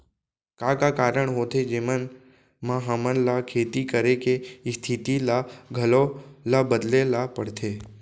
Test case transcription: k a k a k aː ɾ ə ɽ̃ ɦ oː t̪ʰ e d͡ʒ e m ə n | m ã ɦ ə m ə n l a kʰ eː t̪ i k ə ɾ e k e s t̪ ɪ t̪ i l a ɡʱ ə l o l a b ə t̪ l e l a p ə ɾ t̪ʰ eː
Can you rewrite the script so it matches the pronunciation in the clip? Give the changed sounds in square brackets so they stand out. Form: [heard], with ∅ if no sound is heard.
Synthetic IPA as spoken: k a k a k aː ɾ ə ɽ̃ ɦ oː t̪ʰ e d͡ʒ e m ə n | m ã ɦ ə m ə n l a kʰ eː t̪ i k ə ɾ e k e s [t̪ʰ] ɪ t̪ i l a ɡʱ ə l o l a b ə [d̪] l e l a p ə [ɽ] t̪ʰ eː